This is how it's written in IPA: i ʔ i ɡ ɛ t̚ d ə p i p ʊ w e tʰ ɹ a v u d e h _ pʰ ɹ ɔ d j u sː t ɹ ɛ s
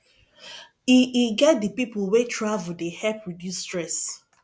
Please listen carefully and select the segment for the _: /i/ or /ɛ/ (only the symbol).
ɛ